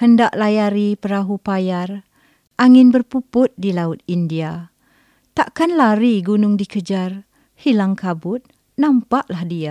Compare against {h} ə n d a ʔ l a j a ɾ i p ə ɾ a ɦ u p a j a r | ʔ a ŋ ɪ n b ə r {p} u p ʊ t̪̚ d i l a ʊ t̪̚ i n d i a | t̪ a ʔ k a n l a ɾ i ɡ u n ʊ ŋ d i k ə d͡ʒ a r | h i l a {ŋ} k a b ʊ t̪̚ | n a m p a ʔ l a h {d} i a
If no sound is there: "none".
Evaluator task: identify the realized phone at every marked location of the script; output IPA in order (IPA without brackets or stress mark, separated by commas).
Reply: h, p, ŋ, d